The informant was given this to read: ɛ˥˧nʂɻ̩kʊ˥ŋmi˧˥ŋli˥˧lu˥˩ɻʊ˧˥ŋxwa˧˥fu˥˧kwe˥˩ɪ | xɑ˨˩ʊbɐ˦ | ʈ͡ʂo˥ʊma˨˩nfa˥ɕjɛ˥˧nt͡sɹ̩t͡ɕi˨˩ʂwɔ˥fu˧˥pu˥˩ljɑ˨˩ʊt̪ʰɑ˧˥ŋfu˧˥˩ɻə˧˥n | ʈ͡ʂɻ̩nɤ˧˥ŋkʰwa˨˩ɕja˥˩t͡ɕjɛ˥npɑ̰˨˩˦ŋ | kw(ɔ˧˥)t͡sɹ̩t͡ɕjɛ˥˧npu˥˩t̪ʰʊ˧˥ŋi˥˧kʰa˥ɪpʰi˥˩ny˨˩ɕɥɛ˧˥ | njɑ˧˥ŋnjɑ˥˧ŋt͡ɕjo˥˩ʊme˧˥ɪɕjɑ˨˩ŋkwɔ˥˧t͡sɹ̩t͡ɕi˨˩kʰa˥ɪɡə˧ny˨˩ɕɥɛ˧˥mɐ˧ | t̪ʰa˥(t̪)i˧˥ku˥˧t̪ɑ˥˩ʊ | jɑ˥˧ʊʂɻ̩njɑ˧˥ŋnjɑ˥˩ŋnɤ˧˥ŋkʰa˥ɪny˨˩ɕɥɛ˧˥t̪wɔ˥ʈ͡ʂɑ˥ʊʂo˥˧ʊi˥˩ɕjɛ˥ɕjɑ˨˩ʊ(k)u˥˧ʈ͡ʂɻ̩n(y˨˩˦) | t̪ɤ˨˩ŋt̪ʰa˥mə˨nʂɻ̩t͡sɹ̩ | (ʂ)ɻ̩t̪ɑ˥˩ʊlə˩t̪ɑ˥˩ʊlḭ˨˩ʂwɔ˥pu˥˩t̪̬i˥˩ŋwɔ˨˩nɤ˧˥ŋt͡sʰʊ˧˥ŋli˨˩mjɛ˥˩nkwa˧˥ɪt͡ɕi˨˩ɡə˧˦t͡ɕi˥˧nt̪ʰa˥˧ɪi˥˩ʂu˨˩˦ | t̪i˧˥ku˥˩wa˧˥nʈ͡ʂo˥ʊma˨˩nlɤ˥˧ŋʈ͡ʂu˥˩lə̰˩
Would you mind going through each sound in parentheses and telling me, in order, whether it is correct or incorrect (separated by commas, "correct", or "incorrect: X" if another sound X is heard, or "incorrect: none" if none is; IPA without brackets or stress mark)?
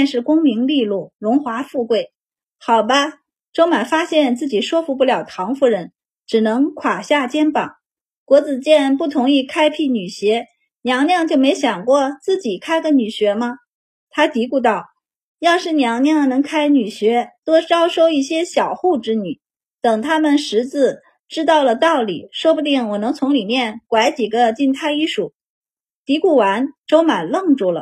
correct, correct, incorrect: x, correct, incorrect: ʈ͡ʂ